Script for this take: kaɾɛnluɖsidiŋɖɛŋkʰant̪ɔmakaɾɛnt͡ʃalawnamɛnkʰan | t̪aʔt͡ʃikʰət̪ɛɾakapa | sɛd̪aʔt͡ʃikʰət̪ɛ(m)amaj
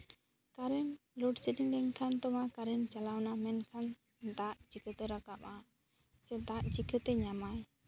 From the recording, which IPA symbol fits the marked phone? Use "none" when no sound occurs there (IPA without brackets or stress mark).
ɲ